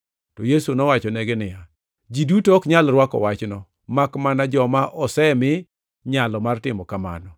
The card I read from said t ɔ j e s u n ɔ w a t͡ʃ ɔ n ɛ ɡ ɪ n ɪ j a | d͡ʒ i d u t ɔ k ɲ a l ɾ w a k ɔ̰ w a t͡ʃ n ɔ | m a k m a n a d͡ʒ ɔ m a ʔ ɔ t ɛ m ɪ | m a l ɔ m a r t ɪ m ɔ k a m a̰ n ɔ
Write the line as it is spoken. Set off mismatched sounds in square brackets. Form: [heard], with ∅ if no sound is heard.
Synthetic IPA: t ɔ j e s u n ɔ w a t͡ʃ ɔ n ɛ ɡ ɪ n ɪ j a | d͡ʒ i d u t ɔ k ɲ a l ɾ w a k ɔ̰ w a t͡ʃ n ɔ | m a k m a n a d͡ʒ ɔ m a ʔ ɔ [s] ɛ m ɪ | [ɲ] a l ɔ m a r t ɪ m ɔ k a m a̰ n ɔ